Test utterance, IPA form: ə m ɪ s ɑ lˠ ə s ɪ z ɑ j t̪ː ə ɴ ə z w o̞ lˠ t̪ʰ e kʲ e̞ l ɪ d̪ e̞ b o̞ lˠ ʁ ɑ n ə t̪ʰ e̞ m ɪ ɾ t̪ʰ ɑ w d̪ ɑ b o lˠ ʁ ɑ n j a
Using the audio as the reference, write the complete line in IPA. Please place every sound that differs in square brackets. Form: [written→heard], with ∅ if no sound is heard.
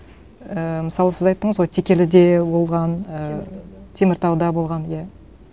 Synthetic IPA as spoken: ə m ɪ s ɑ lˠ ə s ɪ z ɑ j t̪ː ə ɴ ə z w o̞ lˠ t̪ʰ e kʲ e̞ l ɪ d̪ e̞ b o̞ lˠ ʁ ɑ n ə t̪ʰ e̞ m ɪ ɾ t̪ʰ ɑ w d̪ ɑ b o lˠ ʁ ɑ n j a

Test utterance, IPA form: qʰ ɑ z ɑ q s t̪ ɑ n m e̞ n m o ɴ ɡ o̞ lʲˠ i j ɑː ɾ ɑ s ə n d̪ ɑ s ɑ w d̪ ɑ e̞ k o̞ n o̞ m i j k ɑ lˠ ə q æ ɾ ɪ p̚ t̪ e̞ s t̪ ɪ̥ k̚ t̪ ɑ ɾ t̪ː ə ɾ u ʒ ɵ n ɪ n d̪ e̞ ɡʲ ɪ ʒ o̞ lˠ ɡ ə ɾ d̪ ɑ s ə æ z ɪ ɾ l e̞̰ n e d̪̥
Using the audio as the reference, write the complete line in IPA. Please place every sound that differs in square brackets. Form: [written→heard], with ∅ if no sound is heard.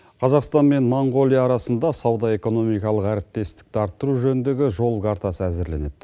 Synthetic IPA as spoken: qʰ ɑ z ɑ q s t̪ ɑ n m e̞ n m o ɴ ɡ o̞ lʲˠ i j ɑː ɾ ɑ s ə n d̪ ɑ s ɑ w d̪ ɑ e̞ k o̞ n o̞ m i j k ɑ lˠ ə q æ ɾ ɪ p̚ t̪ e̞ s t̪ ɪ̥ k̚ t̪ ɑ ɾ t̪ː ə ɾ u ʒ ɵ n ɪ n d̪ e̞ ɡʲ ɪ ʒ o̞ lˠ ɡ [ə→ɑ] ɾ [d̪→t̪] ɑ s ə æ z ɪ ɾ l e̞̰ n e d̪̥

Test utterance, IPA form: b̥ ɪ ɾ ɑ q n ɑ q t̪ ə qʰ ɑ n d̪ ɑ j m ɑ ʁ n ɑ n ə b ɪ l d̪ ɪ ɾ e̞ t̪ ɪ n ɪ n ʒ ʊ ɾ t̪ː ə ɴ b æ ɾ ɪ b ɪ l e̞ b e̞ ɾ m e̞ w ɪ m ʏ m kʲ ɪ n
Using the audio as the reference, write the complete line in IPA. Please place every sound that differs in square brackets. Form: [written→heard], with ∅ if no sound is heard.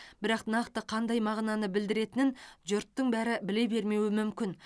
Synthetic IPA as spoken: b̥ ɪ ɾ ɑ q n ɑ q t̪ ə qʰ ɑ n d̪ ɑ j m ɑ ʁ n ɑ n ə b ɪ l d̪ ɪ ɾ e̞ t̪ ɪ n ɪ n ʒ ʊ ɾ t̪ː ə ɴ b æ ɾ ɪ b ɪ l e̞ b e̞ ɾ m e̞ w ɪ m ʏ m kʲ ɪ n

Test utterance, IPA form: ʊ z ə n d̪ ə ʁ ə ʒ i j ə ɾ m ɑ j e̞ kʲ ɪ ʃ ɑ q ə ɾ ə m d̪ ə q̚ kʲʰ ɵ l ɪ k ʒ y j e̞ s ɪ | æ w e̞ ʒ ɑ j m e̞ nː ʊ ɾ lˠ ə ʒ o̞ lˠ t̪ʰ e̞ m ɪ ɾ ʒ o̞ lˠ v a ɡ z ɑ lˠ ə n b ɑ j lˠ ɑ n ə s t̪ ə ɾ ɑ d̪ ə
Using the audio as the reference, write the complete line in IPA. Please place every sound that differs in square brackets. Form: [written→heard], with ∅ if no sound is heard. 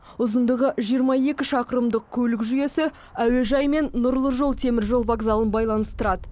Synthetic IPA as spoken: ʊ z ə n d̪ ə ʁ ə ʒ i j ə ɾ m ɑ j e̞ kʲ ɪ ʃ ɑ q ə ɾ ə m d̪ ə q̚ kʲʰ ɵ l ɪ k ʒ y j e̞ s ɪ | æ w e̞ ʒ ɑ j m e̞ nː ʊ ɾ lˠ ə ʒ o̞ lˠ t̪ʰ e̞ m ɪ ɾ ʒ o̞ lˠ v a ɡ z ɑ lˠ ə n b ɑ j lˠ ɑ n ə s t̪ ə ɾ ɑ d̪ ə

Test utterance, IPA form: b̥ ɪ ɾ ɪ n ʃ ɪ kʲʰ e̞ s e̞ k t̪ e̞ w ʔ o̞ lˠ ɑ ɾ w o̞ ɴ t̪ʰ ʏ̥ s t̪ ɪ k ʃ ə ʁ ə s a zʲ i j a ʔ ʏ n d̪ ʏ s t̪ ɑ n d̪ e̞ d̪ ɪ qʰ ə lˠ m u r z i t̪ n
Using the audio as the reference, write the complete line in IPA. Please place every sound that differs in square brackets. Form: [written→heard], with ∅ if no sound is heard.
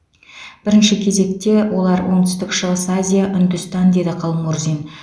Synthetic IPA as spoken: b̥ ɪ ɾ ɪ n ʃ ɪ kʲʰ e̞ [s→z] e̞ k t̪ e̞ w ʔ o̞ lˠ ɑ ɾ w o̞ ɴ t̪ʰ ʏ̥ s t̪ ɪ k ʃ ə ʁ ə s a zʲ i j a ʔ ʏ n d̪ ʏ s t̪ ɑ n d̪ e̞ d̪ ɪ qʰ [ə→ɑ] lˠ m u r z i [t̪→∅] n

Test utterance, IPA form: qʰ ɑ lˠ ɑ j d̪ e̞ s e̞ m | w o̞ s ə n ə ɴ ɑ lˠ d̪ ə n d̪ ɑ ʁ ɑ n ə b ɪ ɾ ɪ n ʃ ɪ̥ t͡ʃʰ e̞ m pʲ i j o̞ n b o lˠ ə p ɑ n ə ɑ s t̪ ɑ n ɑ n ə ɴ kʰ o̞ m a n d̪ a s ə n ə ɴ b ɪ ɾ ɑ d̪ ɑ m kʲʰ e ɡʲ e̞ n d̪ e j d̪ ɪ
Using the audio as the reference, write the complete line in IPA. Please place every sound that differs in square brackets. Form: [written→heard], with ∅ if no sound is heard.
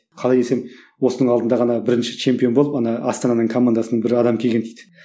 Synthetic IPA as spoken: qʰ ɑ lˠ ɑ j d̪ e̞ s e̞ m | w o̞ s ə n ə ɴ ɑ lˠ d̪ ə n d̪ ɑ ʁ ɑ n [ə→ɑ] b ɪ ɾ ɪ n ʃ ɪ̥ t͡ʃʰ e̞ m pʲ i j o̞ n b o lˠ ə p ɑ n [ə→ɑ] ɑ s t̪ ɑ n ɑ n ə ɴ kʰ o̞ m a n d̪ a s ə n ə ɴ b ɪ ɾ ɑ d̪ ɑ m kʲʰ e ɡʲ e̞ n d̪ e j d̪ ɪ

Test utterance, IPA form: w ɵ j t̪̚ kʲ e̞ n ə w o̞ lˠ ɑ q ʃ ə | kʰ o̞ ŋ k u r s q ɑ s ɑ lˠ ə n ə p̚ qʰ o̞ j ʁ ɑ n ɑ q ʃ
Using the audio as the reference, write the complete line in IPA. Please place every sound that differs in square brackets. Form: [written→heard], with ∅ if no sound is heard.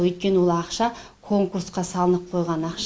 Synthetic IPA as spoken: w ɵ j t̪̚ kʲ e̞ n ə w o̞ lˠ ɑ q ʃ [ə→ɑ] | kʰ o̞ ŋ k u r s q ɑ s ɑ lˠ ə n ə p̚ qʰ o̞ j ʁ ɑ n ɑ q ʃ

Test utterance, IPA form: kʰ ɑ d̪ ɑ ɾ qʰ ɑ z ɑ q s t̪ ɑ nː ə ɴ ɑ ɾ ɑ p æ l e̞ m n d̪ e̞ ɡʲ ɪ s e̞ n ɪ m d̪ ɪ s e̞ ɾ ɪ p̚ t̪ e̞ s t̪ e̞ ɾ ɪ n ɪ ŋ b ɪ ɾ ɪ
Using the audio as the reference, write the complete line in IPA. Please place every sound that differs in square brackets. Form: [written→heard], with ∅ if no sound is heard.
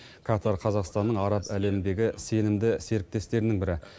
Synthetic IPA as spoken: kʰ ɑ [d̪→t̪] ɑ ɾ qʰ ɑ z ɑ q s t̪ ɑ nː ə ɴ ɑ ɾ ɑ p æ l e̞ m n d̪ e̞ ɡʲ ɪ s e̞ n ɪ m d̪ ɪ s e̞ ɾ ɪ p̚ t̪ e̞ s t̪ e̞ ɾ ɪ n ɪ ŋ b ɪ ɾ ɪ

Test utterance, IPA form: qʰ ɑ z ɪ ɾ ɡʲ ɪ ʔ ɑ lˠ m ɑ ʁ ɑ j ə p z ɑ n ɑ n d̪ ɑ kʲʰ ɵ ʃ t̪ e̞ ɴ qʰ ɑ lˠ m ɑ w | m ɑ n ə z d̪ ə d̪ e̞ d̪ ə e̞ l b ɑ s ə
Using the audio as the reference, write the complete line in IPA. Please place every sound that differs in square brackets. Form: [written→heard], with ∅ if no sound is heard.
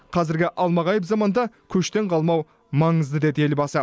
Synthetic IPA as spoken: qʰ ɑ z ɪ ɾ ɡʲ ɪ ʔ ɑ lˠ m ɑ ʁ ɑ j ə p z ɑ [n→m] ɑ n d̪ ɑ kʲʰ ɵ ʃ t̪ e̞ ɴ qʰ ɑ lˠ m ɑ w | m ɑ [n→ɴ] ə z d̪ ə d̪ e̞ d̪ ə e̞ l b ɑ s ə

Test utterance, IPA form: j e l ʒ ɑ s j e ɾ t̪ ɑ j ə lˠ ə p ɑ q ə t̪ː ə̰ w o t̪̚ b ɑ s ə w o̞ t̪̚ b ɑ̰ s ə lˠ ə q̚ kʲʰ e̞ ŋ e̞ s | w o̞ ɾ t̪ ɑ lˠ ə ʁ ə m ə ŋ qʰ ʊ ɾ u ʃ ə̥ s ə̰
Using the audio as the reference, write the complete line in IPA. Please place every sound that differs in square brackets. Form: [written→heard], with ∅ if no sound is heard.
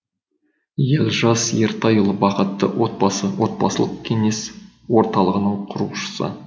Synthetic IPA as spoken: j e l ʒ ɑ s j e ɾ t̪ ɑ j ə lˠ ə [p→b] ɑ q ə t̪ː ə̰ w o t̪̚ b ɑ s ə w o̞ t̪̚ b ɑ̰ s ə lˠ ə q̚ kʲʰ e̞ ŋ e̞ s | w o̞ ɾ t̪ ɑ lˠ ə ʁ ə [m→n] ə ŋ qʰ ʊ ɾ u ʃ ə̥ s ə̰

